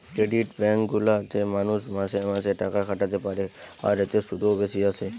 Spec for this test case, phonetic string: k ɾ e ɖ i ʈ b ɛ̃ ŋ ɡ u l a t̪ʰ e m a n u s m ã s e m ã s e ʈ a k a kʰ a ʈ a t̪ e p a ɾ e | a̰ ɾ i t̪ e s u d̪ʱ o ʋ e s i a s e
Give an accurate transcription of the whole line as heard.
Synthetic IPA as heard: k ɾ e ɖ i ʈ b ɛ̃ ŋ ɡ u l a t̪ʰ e m a n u s m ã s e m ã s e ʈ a k a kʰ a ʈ a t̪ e p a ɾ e | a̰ ɾ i t̪ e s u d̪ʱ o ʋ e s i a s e